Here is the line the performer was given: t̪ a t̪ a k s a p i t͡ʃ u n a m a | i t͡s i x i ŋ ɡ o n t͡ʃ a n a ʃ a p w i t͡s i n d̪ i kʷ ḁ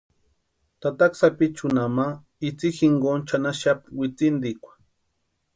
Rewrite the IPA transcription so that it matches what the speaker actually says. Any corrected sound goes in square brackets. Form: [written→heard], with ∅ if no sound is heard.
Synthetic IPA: t̪ a t̪ a k s a p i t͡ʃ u n a m a | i t͡s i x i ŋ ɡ o n t͡ʃ a n a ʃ a p w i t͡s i n d̪ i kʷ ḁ